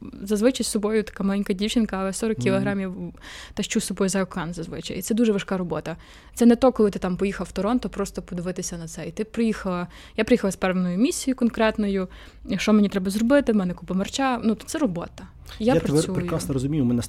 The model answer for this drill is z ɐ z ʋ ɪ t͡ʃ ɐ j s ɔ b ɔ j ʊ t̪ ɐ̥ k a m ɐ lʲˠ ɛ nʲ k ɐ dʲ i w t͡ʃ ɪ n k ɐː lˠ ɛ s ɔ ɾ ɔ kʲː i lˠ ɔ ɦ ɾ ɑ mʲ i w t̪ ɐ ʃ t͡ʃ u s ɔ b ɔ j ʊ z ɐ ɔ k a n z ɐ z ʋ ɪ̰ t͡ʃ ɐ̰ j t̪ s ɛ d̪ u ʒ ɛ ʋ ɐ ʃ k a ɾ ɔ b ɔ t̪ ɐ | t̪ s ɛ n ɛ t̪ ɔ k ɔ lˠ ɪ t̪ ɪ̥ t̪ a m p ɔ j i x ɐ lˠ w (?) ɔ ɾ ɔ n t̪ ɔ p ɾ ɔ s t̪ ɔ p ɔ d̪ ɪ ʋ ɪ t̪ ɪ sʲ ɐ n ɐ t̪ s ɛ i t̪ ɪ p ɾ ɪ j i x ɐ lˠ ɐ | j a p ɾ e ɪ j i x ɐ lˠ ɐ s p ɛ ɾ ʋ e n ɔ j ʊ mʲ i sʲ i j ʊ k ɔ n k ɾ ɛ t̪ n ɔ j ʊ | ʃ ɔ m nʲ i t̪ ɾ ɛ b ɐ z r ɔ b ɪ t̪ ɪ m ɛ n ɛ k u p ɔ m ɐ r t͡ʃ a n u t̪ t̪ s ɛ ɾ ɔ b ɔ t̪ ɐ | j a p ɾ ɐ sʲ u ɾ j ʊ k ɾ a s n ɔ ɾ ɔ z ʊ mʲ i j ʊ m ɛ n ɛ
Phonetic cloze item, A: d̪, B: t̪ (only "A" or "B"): B